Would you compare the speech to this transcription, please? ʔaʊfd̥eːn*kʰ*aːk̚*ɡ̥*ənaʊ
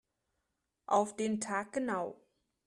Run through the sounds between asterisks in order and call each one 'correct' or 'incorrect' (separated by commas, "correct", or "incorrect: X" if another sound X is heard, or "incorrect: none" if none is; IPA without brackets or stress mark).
incorrect: tʰ, correct